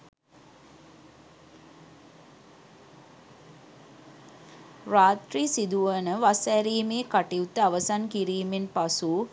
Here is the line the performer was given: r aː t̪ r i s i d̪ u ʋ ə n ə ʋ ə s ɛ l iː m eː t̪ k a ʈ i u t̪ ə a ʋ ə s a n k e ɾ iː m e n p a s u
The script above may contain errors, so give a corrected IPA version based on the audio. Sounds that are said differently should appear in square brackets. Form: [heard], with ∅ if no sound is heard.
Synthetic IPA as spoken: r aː t̪ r i s i d̪ u ʋ ə n ə ʋ [a] s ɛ [ɾ] iː m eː [∅] k a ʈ i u t̪ ə a ʋ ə s a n k [i] ɾ iː m e n p a s u

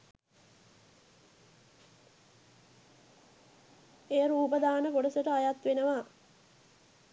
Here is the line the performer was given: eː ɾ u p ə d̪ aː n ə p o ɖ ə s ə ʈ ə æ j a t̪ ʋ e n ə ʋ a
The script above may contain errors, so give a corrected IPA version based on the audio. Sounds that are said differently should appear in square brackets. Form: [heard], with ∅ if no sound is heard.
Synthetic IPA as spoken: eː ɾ [uː] p ə d̪ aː n ə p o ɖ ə s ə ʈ ə [a] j a t̪ ʋ e n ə ʋ a

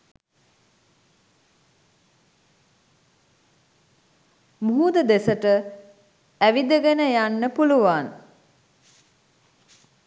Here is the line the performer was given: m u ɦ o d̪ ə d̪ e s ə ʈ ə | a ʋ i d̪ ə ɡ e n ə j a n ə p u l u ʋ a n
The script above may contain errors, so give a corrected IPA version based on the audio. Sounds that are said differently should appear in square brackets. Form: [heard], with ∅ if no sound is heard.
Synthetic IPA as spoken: m u ɦ [u] d̪ ə d̪ e s ə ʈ ə | [æ] ʋ i d̪ ə ɡ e n ə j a [nː] ə p u l u ʋ a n

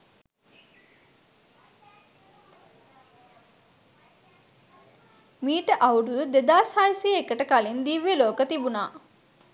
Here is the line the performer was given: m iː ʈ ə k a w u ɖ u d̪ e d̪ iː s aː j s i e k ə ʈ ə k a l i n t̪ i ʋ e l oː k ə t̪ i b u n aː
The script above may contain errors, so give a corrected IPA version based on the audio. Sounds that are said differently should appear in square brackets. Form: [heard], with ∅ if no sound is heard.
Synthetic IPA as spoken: m iː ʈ ə [ʔ] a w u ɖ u d̪ e d̪ [aː] s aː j s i e k ə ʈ ə k a l i n [d̪] i ʋ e l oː k ə t̪ i b u n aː

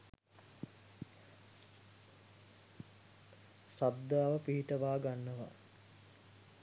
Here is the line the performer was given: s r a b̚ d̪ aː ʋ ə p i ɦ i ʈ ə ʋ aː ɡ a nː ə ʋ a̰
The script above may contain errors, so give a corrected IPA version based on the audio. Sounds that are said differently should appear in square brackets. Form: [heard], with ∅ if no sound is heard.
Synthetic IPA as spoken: s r a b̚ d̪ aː ʋ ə p i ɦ i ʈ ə ʋ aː ɡ a nː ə ʋ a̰

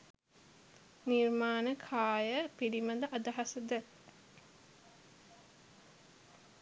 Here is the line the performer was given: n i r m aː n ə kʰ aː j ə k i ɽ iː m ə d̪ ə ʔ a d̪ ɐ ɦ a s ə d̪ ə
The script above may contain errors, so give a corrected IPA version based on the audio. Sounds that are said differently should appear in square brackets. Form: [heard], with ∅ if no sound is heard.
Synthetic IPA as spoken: n i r m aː n ə kʰ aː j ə [p] i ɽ [i] m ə d̪ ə ʔ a d̪ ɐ ɦ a s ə d̪ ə

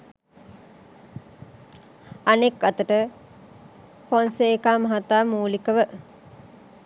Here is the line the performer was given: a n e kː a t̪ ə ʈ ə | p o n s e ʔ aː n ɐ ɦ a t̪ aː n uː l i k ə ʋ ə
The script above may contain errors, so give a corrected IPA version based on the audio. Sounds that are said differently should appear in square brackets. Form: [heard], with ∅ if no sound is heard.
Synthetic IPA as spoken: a n e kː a t̪ ə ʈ ə | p o n s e [k] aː [m] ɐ ɦ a t̪ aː [m] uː l i k ə ʋ ə

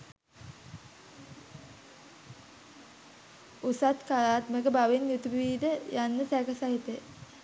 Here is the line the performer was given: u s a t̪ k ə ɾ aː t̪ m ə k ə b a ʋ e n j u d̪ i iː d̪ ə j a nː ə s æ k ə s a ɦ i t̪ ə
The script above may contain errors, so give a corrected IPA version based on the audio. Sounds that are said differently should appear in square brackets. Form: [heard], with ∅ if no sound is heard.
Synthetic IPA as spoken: u s a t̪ k [a] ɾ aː t̪ m ə k ə b a ʋ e n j u [t̪] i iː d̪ ə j a nː ə s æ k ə s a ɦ i t̪ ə

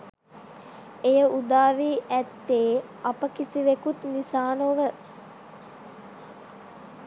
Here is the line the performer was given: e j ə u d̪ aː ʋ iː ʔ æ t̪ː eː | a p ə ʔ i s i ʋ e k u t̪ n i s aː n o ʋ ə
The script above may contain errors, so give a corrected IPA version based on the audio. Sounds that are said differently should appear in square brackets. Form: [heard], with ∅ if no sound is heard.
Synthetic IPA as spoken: e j ə u d̪ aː ʋ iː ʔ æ t̪ː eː | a p ə [k] i s i ʋ e k u t̪ n i s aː n o ʋ ə

